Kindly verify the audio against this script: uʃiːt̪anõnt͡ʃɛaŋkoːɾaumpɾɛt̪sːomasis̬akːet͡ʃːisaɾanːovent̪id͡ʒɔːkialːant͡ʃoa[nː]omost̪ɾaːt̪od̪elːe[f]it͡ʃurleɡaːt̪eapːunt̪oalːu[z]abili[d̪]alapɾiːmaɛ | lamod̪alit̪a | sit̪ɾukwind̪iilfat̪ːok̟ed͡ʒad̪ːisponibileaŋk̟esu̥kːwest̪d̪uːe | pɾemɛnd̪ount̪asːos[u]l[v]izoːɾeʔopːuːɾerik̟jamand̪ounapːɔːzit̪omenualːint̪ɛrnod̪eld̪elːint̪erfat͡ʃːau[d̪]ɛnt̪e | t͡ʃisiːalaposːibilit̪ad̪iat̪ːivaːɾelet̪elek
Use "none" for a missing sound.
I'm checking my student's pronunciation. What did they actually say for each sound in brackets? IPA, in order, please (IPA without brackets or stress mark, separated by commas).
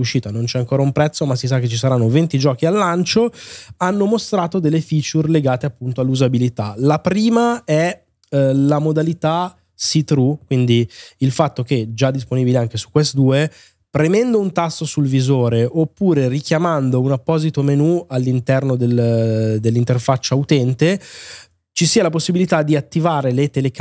nː, f, z, t̪, u, v, t̪